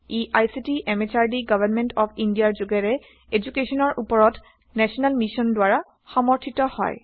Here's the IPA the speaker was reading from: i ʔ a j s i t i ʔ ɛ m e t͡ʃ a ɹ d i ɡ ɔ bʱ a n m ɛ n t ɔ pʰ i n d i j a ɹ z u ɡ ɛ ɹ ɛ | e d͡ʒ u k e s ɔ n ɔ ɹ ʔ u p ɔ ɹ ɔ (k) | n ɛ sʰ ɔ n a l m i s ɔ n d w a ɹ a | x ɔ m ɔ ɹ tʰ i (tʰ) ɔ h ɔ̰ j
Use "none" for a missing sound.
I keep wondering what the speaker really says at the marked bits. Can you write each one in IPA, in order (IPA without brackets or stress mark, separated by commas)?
t, t